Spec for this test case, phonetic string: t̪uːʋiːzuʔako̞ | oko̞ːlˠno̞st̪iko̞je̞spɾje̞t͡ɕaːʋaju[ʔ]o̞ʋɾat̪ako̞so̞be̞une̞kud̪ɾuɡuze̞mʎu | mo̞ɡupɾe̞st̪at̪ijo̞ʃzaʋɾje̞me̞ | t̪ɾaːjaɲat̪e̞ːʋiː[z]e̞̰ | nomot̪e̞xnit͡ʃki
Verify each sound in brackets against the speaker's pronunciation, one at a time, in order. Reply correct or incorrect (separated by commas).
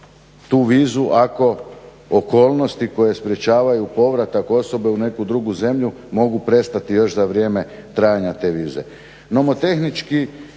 incorrect, correct